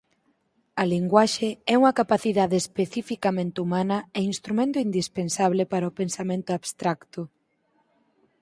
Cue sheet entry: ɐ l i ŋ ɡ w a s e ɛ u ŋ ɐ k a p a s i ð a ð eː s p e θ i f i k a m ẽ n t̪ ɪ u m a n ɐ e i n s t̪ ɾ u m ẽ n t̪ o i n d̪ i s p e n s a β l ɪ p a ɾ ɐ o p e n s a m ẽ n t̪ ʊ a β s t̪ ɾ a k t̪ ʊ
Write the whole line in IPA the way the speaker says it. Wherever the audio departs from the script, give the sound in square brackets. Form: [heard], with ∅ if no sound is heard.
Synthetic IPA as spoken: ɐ l i ŋ ɡ w a [ʃ] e ɛ u ŋ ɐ k a p a [θ] i ð a ð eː s p e θ i f i k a m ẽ n t̪ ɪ u m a n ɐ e i n s t̪ ɾ u m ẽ n t̪ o i n d̪ i s p e n s a β l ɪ p a ɾ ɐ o p e n s a m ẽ n t̪ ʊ a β s t̪ ɾ a k t̪ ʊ